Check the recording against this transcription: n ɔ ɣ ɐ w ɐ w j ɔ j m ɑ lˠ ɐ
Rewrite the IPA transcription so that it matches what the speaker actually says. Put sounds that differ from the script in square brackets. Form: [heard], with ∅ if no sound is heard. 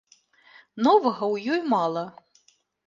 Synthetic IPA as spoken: n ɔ [v] ɐ [ɣ] ɐ w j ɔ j m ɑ lˠ ɐ